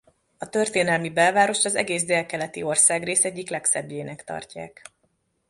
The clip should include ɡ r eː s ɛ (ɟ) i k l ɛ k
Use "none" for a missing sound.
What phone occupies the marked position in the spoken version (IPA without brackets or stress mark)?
ɟː